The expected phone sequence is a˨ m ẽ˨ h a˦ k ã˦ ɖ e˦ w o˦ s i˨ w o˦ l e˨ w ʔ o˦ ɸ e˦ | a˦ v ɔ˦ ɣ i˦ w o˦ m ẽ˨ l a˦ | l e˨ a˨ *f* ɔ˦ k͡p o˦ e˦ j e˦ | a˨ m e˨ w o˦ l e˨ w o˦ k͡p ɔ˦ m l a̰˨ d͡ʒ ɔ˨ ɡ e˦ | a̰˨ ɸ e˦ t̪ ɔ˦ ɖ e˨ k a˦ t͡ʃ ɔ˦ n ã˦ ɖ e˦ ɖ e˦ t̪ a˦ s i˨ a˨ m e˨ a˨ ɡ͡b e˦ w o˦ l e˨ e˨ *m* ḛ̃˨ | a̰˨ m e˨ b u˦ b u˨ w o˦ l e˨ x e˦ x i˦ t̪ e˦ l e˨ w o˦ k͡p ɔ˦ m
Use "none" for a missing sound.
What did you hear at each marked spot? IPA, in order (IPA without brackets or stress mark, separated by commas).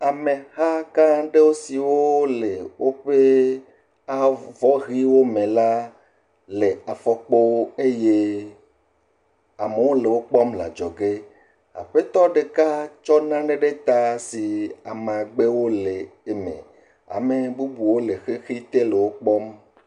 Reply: f, m